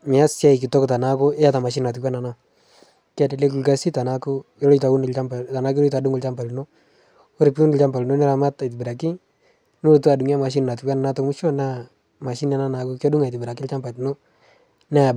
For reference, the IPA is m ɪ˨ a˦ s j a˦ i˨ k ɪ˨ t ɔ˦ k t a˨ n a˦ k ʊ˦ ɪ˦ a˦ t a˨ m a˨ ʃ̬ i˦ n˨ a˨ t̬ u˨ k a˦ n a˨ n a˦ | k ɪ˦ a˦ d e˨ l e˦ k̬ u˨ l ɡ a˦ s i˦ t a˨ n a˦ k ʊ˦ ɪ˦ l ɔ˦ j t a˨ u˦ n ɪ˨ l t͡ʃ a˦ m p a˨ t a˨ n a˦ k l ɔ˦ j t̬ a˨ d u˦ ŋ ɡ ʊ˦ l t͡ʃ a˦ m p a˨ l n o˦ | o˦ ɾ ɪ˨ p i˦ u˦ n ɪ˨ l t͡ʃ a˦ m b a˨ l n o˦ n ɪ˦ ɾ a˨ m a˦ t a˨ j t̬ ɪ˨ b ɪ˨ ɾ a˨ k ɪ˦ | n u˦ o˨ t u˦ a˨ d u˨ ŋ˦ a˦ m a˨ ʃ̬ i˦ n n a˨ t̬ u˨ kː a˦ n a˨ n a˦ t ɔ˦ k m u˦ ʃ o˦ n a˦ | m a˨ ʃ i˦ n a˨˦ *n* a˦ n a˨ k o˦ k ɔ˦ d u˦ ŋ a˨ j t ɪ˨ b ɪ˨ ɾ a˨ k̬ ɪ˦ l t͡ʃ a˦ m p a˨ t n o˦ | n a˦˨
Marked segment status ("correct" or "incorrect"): correct